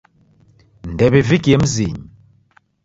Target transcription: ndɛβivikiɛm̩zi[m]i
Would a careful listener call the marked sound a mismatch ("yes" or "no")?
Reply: yes